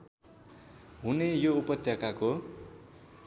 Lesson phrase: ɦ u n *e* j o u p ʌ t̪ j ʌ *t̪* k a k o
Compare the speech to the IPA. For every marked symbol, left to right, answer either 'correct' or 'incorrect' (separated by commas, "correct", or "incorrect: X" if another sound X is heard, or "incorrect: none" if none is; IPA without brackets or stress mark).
correct, incorrect: none